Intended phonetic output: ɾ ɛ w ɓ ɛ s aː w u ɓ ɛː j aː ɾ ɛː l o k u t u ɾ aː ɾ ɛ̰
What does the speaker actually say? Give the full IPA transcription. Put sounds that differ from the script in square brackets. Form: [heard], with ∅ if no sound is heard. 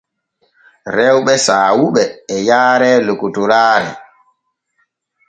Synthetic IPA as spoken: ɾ ɛ w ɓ ɛ s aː w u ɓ ɛː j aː ɾ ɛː l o k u t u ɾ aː ɾ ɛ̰